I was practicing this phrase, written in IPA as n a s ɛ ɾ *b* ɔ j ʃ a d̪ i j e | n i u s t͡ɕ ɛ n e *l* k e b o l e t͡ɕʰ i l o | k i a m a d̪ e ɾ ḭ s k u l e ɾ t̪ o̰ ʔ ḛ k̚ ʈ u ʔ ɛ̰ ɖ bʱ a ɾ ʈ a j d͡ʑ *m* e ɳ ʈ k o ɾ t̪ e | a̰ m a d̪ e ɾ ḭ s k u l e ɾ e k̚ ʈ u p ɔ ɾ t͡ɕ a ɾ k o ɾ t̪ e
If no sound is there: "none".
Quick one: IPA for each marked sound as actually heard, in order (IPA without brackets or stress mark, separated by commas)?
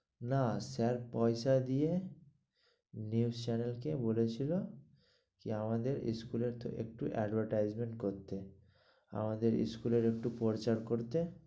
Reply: p, l, m